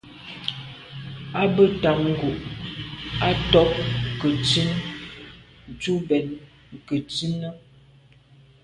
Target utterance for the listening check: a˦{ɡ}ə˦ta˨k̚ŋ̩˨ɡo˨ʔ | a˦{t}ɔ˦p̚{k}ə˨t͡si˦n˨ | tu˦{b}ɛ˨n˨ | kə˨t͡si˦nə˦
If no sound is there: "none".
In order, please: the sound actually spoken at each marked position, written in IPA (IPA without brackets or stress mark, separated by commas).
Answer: b, t, k, b